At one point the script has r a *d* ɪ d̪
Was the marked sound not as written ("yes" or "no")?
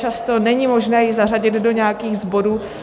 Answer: yes